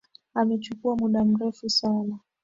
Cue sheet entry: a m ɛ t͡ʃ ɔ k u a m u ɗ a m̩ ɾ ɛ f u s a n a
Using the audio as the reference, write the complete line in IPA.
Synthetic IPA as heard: a m ɛ t͡ʃ u k u a m u ɗ a m̩ ɾ ɛ f u s a n a